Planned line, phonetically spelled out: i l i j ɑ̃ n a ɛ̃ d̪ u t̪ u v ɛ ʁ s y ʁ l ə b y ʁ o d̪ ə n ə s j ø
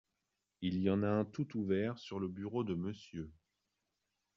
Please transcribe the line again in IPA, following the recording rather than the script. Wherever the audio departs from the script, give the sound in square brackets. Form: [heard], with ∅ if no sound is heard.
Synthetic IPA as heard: i l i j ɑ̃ n a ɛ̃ [t̪] u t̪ u v ɛ ʁ s y ʁ l ə b y ʁ o d̪ ə [m] ə s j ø